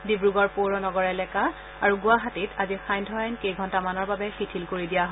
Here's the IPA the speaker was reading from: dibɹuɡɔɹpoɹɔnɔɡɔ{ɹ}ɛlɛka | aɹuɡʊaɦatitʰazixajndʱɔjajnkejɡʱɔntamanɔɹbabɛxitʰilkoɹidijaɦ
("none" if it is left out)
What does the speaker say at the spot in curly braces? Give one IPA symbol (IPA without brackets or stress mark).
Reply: ɹ